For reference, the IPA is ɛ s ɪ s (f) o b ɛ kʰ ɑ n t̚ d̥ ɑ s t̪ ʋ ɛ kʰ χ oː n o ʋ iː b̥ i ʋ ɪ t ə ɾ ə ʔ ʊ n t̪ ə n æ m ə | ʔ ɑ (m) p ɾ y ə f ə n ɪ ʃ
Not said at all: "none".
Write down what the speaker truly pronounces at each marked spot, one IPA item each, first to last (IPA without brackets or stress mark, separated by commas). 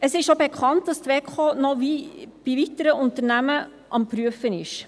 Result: ʃ, m